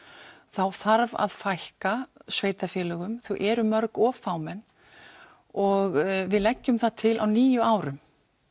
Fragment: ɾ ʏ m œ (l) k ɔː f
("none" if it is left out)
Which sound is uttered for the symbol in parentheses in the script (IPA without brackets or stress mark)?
ɾ